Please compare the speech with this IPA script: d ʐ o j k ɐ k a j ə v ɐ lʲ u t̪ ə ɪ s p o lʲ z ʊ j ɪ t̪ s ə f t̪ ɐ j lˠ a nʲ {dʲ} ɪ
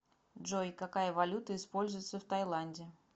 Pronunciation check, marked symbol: correct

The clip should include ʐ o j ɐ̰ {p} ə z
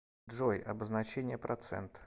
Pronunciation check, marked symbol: incorrect: b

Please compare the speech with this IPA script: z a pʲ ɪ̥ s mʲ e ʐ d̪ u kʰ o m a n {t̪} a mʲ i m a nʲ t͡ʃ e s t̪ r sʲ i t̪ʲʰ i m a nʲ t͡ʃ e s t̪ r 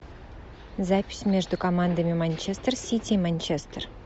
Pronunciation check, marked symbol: incorrect: d̪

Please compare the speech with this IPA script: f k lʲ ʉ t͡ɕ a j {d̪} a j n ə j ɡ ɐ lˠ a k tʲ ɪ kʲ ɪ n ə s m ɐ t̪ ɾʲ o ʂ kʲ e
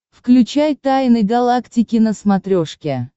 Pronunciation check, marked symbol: incorrect: t̪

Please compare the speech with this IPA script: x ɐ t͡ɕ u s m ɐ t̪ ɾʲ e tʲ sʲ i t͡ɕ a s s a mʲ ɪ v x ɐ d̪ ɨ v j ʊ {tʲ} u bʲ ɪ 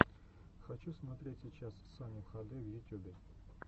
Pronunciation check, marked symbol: correct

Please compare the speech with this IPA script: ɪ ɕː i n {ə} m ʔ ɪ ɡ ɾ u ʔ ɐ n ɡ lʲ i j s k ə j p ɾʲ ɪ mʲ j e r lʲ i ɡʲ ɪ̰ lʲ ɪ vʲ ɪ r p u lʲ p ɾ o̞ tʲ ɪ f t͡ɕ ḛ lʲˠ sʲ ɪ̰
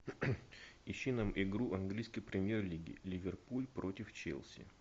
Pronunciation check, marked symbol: incorrect: a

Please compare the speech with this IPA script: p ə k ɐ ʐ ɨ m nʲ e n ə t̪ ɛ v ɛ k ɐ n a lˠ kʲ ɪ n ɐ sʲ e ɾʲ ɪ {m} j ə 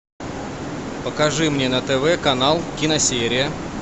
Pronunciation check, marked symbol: incorrect: none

